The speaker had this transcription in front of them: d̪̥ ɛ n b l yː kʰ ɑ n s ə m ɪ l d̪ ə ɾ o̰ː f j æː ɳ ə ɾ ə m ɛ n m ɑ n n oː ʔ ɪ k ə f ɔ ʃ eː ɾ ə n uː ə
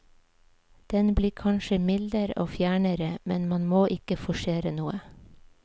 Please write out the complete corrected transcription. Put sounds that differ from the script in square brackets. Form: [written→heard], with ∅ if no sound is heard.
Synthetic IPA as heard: d̪̥ ɛ n b l [yː→iː] kʰ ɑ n [s→ʃ] ə m ɪ l d̪ ə ɾ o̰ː f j æː ɳ ə ɾ ə m ɛ n m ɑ n [n→m] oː ʔ ɪ k ə f ɔ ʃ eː ɾ ə n uː ə